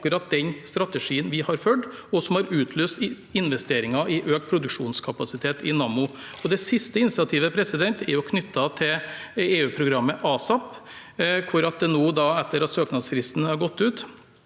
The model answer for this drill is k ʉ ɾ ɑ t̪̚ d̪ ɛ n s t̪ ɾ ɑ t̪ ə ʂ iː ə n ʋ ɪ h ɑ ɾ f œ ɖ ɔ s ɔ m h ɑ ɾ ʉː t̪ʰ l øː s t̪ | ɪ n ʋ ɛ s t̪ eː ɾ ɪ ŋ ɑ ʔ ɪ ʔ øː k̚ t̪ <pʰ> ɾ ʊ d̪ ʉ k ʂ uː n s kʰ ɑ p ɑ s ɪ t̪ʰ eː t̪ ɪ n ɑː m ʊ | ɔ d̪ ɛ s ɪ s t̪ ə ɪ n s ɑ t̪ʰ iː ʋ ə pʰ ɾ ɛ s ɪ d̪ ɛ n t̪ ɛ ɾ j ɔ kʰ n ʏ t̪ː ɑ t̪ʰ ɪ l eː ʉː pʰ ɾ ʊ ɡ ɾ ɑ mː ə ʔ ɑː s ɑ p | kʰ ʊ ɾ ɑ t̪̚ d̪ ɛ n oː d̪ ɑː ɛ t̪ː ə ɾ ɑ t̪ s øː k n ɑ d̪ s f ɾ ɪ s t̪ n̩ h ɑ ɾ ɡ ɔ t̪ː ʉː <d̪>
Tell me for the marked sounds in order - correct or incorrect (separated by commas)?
correct, incorrect